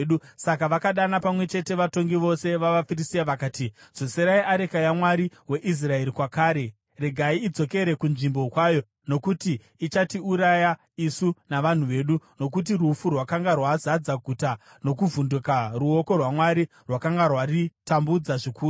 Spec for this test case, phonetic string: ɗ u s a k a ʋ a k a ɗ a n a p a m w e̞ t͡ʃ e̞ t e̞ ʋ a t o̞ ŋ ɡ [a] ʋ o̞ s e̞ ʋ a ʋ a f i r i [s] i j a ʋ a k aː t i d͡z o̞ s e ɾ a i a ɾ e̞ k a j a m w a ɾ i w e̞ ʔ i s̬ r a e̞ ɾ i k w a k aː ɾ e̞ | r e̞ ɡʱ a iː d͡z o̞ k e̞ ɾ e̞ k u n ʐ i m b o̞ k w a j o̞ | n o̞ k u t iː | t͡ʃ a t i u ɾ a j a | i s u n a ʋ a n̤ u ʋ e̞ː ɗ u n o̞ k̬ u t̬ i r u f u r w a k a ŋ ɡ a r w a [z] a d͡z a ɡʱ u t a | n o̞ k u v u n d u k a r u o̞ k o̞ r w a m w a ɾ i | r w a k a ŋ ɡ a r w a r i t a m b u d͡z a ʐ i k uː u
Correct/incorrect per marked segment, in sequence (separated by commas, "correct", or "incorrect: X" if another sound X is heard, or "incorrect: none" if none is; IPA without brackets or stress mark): incorrect: i, correct, correct